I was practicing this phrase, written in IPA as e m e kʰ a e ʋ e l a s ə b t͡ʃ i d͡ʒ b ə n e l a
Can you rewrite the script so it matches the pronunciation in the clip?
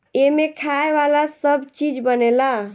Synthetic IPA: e m e kʰ a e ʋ a l a s ə b t͡ʃ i d͡ʒ b ə n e l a